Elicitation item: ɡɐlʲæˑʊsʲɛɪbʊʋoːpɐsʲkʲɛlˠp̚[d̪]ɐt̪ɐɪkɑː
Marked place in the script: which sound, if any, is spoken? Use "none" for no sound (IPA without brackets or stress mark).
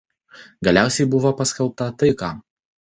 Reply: t̪